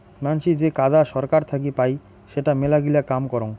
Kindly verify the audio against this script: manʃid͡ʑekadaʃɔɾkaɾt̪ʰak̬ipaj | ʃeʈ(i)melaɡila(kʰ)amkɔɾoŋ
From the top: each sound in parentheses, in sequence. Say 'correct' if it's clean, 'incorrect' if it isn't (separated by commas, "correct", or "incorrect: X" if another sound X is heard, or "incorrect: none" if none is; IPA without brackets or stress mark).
incorrect: a, incorrect: k